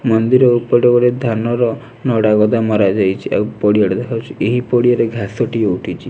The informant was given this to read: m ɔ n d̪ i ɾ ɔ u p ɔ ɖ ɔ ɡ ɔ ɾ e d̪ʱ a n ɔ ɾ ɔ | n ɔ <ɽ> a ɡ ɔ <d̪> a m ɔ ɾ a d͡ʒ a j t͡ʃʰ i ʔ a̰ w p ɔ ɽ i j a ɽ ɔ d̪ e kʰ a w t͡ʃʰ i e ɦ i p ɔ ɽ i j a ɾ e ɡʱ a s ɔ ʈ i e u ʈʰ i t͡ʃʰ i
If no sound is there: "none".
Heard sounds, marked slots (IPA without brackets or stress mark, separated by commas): ɽ, d̪